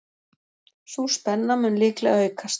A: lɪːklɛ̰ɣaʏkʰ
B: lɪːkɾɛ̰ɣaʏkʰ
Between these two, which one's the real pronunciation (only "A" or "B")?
A